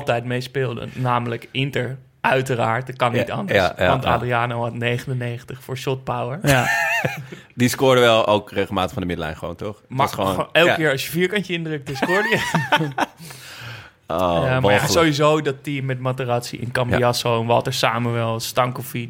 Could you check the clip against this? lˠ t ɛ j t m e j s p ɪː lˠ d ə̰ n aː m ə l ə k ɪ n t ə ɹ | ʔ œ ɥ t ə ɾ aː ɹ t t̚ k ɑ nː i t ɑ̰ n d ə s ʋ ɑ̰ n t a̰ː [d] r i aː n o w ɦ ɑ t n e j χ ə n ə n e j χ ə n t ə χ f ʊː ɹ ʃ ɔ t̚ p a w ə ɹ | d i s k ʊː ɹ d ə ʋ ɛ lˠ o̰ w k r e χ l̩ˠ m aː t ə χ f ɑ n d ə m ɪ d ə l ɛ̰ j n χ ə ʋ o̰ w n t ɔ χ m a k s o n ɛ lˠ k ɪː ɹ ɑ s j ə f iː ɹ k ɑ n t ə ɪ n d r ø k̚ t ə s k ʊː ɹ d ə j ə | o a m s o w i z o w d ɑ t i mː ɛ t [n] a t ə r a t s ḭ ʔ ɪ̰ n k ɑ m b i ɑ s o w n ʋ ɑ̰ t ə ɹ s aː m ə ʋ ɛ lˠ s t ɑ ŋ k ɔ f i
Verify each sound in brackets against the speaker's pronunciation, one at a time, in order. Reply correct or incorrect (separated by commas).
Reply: correct, incorrect